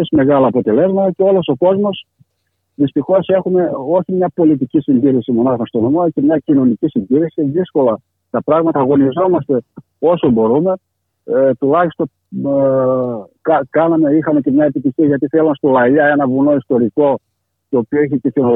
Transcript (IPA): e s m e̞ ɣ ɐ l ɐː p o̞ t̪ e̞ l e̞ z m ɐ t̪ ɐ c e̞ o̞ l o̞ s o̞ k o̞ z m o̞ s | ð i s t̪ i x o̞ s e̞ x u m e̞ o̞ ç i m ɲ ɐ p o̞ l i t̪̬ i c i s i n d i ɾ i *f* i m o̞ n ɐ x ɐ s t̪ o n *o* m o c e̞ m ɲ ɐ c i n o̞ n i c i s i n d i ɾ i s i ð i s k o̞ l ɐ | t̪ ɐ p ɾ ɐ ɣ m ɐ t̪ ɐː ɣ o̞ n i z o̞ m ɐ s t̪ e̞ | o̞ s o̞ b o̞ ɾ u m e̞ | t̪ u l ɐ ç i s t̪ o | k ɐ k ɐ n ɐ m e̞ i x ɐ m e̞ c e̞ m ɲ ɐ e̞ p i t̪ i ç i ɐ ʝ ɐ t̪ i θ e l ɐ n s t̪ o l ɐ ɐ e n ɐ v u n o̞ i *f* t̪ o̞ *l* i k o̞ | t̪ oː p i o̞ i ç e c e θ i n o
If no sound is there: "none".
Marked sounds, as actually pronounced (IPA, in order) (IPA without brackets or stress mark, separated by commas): s, o, s, ɾ